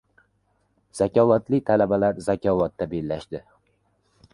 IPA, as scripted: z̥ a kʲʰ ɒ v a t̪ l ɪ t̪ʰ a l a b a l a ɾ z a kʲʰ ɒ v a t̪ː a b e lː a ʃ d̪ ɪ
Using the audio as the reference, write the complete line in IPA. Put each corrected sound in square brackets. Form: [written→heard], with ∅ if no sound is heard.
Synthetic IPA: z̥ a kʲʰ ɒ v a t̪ l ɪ t̪ʰ a l a b a l a ɾ z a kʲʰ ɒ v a t̪ː a b e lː a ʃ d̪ ɪ